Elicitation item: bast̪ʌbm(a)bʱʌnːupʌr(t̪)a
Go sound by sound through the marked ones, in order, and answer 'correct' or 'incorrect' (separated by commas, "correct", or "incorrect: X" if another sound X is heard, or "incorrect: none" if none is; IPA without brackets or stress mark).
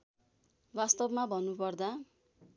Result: correct, incorrect: d̪